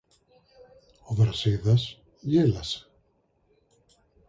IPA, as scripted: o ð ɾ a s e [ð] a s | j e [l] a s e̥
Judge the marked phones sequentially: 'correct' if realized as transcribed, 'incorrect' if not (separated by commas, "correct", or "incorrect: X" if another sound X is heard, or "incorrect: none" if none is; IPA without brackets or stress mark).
correct, correct